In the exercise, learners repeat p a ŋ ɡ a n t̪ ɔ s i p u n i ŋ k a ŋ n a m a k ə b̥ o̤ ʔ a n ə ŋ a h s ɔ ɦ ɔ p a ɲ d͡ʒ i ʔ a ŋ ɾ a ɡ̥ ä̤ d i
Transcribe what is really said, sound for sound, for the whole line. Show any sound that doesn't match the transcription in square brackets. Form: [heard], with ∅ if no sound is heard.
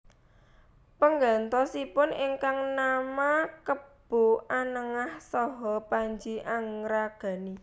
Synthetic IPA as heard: p [ə] ŋ ɡ a n t̪ ɔ s i p [ʊ] n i ŋ k a ŋ n a m a k ə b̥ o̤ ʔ a n ə ŋ a h s ɔ ɦ ɔ p a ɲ d͡ʒ i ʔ a ŋ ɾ a ɡ̥ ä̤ [n] i